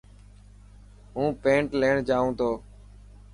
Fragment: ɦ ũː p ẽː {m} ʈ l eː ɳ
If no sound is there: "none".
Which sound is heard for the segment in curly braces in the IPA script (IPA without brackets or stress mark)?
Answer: ɳ